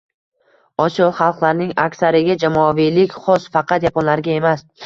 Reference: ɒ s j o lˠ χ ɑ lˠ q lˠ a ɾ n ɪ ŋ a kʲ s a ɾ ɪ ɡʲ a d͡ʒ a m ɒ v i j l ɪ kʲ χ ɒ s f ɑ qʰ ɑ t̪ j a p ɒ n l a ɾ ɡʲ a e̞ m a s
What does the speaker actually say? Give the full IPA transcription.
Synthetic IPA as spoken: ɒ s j ɒ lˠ χ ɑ lˠ q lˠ a ɾ n ɪ ŋ a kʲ s a ɾ ɪ ɡʲ a d͡ʒ a m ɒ v i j l ɪ kʲ χ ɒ s f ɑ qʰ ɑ t̪ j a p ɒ n l a ɾ ɡʲ a e̞ m a s